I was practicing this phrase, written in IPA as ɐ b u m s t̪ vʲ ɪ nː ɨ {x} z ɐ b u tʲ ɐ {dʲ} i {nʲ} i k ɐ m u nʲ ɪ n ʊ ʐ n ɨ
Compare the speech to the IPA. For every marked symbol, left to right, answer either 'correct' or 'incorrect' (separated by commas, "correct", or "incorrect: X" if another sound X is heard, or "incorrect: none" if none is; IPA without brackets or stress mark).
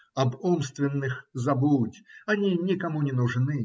correct, incorrect: nʲ, correct